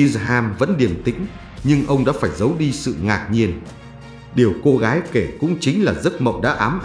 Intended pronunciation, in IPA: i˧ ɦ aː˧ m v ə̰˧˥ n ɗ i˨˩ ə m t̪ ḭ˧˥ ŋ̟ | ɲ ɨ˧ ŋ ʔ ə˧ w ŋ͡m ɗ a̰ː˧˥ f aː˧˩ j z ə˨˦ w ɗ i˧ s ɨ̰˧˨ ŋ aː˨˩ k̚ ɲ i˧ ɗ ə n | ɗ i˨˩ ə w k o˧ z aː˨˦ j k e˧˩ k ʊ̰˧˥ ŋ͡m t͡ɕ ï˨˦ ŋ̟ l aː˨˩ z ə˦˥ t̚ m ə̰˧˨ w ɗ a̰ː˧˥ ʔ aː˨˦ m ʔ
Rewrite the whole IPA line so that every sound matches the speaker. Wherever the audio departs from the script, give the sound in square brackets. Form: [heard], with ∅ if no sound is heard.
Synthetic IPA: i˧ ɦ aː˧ m v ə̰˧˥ n ɗ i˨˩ ə m t̪ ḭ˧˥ ŋ̟ | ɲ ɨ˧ ŋ ʔ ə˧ w ŋ͡m ɗ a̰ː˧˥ f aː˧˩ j z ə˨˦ w ɗ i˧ s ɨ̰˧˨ ŋ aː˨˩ k̚ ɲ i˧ [∅] ə n | ɗ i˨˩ ə w k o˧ [ɣ] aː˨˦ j k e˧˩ k ʊ̰˧˥ ŋ͡m t͡ɕ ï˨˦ ŋ̟ l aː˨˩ z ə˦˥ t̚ m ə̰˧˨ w ɗ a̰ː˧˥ ʔ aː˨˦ m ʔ